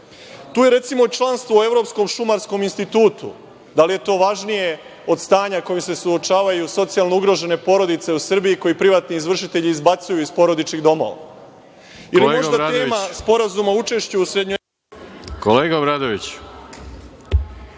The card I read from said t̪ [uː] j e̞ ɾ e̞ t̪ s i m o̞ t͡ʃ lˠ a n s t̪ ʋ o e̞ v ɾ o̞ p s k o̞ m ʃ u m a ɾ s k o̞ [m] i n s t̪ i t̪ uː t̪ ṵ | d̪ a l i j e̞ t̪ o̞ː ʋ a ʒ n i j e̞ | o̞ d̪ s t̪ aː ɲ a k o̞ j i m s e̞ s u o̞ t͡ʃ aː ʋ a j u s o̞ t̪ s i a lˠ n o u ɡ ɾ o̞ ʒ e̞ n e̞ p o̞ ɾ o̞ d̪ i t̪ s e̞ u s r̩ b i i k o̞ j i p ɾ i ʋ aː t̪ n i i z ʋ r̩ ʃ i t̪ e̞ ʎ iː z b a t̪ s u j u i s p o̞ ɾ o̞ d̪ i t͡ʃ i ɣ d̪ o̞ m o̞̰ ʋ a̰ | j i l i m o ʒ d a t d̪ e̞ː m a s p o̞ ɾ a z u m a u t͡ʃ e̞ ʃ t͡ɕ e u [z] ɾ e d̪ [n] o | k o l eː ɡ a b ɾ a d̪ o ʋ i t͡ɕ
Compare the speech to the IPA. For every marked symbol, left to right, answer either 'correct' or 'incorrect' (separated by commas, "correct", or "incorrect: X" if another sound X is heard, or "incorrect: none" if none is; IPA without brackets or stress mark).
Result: correct, correct, incorrect: s, incorrect: ɲ